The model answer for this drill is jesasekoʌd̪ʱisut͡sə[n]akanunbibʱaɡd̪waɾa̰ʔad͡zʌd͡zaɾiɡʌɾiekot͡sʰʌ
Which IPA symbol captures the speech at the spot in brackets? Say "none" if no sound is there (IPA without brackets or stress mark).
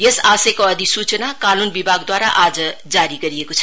n